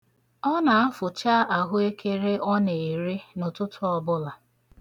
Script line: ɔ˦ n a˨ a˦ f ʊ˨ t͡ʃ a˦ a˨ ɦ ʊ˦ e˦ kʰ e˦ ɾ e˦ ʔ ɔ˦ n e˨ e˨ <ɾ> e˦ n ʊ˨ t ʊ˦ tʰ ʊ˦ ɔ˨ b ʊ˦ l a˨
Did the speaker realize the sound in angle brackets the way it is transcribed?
yes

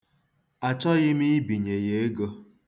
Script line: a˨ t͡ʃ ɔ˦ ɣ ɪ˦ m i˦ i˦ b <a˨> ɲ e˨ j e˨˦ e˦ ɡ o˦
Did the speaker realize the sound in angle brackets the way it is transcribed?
no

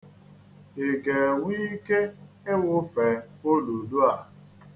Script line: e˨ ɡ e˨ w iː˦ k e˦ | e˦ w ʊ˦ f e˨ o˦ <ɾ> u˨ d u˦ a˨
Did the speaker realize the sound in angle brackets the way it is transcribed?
no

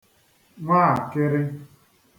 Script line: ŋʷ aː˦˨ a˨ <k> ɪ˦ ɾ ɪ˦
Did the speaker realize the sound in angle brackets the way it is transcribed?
yes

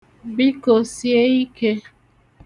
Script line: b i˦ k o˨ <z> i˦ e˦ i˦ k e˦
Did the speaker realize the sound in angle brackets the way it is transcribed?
no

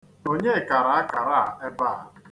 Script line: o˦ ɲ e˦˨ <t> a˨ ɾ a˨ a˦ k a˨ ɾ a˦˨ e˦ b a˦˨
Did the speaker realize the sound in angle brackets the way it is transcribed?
no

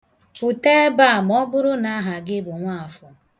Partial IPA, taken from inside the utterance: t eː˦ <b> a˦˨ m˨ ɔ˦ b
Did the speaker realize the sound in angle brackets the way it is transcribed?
yes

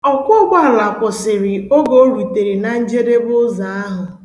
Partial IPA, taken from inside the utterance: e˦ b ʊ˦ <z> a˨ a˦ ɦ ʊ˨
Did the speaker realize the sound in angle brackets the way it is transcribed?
yes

